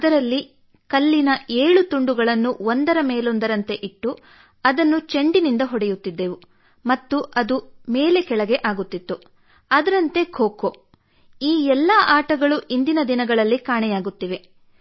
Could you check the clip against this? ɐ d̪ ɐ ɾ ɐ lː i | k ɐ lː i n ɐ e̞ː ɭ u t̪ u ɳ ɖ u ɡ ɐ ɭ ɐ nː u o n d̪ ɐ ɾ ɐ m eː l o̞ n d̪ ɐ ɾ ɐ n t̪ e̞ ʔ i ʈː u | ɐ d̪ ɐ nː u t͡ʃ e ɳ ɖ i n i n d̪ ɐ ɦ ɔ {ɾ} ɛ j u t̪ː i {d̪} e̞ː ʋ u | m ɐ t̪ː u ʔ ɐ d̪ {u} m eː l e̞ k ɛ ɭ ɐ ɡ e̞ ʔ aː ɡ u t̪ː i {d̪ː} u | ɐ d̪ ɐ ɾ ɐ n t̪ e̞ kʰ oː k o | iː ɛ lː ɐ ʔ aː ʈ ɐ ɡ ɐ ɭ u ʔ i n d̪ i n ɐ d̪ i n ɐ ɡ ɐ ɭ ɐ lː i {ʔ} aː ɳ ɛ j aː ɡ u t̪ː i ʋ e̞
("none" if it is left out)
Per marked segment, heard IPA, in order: ɽ, d̪ː, u, t̪ː, k

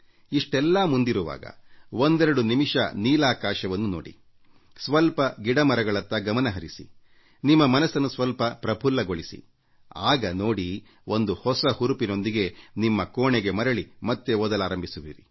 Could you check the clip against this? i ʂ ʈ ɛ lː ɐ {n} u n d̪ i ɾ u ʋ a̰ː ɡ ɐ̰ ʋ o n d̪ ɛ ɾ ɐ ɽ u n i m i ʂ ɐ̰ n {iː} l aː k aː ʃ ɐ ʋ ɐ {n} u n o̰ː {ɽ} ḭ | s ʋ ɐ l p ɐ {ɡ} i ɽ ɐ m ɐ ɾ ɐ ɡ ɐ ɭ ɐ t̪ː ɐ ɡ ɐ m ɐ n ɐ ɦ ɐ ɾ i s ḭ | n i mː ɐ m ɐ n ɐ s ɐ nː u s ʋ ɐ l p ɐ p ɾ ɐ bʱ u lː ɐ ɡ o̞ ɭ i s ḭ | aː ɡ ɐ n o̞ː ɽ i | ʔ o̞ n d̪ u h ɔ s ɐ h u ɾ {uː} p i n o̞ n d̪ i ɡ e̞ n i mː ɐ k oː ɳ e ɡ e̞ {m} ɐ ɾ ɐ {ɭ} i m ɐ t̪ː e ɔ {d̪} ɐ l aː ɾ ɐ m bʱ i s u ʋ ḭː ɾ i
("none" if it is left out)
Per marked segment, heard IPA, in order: m, iː, nː, ɽ, ɡ, u, m, ɭ, d̪

